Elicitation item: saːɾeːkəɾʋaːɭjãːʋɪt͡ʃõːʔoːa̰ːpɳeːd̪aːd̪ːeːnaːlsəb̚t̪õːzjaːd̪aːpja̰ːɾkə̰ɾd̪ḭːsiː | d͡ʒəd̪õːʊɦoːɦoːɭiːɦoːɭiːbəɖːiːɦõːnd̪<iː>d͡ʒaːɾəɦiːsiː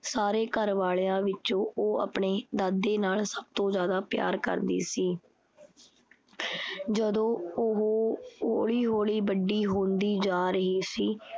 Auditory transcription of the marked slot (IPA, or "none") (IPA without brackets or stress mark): iː